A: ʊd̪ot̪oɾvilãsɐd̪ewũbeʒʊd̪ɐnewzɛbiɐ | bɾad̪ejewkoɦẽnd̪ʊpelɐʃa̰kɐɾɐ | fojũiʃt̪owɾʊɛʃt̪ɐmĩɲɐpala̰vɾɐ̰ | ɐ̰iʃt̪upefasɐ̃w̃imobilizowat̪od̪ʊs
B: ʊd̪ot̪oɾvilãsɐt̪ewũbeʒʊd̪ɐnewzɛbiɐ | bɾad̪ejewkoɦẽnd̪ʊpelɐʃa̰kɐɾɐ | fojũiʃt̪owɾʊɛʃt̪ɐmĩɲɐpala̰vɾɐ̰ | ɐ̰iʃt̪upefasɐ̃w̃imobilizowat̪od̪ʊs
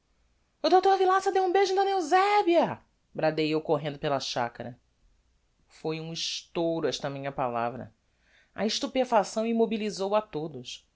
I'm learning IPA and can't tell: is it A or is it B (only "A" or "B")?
A